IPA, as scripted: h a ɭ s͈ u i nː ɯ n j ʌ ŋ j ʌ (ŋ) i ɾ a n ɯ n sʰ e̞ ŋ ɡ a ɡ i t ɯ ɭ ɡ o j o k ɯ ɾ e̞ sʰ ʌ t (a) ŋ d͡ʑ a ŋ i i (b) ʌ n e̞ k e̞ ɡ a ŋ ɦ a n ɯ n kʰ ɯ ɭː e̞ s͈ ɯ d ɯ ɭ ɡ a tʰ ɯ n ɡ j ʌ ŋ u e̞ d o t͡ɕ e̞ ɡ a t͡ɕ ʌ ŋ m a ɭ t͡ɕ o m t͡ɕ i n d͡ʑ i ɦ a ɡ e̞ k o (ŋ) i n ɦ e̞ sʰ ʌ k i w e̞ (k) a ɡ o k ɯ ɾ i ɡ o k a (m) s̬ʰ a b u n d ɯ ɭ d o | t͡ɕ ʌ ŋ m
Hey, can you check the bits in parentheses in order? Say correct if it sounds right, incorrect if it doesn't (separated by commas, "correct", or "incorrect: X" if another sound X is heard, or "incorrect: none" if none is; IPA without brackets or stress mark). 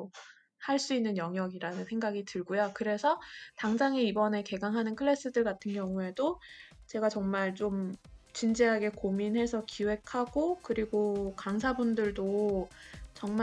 incorrect: ɡ, correct, correct, incorrect: m, incorrect: kʰ, incorrect: ŋ